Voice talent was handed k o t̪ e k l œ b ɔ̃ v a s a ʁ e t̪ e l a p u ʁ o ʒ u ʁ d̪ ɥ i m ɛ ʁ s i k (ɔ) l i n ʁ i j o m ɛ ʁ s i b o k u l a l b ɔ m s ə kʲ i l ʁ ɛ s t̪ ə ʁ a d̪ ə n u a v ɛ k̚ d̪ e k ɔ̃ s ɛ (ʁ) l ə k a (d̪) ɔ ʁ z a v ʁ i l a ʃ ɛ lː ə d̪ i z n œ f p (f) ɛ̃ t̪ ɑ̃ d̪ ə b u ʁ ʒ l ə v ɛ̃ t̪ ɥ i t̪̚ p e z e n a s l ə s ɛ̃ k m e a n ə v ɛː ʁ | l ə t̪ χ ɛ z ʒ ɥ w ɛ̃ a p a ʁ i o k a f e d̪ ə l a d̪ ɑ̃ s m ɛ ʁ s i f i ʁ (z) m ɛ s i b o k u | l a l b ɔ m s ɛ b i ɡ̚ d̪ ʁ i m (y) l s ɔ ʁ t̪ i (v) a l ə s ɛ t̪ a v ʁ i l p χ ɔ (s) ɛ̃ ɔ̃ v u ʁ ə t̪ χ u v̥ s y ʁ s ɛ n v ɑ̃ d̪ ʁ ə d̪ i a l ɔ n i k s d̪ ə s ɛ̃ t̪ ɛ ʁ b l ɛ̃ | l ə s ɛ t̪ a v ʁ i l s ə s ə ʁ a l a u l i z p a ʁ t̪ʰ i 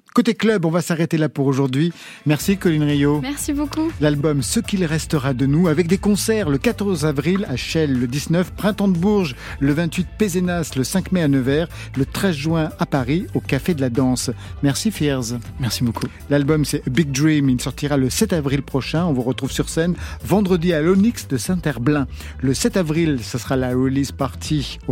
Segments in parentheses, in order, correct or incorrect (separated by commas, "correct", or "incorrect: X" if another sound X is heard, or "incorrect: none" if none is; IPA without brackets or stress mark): correct, correct, incorrect: t̪, incorrect: χ, correct, incorrect: i, incorrect: ʁ, incorrect: ʃ